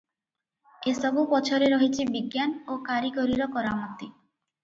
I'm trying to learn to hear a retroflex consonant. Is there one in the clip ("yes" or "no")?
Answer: no